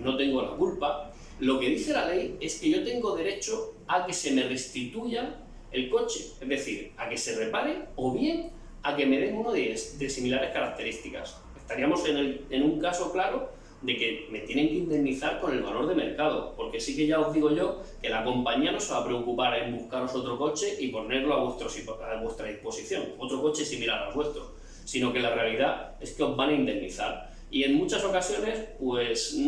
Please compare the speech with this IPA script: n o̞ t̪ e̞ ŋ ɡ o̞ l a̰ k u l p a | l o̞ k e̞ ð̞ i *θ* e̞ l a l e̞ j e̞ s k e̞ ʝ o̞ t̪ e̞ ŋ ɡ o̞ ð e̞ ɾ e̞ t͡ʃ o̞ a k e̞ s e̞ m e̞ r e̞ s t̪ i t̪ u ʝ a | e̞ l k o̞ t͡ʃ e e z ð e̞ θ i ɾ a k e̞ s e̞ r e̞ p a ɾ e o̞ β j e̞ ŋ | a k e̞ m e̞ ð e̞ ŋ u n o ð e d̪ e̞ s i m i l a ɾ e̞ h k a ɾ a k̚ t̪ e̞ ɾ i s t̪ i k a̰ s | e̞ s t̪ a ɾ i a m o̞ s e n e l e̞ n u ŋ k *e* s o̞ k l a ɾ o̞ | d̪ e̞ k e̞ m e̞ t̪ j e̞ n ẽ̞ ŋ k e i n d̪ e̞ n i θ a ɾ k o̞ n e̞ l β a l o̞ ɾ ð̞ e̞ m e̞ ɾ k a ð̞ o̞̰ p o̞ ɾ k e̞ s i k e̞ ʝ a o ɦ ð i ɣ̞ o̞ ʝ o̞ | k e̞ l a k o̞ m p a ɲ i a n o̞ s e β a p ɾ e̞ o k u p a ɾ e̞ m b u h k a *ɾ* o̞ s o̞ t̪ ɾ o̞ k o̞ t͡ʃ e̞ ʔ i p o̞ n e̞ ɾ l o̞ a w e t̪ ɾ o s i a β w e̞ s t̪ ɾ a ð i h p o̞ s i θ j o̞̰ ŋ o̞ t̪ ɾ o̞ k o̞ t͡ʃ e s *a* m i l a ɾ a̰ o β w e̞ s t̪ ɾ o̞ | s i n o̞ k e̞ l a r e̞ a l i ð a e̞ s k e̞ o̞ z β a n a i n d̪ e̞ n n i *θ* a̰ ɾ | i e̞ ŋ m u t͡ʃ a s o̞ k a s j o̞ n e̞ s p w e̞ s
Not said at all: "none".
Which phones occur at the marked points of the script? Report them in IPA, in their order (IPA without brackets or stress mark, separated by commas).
θ, a, ɾ, i, θ